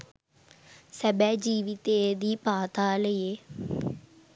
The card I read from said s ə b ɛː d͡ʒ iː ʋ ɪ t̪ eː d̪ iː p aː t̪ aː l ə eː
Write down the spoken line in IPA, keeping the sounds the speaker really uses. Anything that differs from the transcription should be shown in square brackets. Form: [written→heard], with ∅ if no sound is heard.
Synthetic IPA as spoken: s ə b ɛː d͡ʒ iː ʋ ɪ t̪ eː d̪ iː p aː t̪ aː l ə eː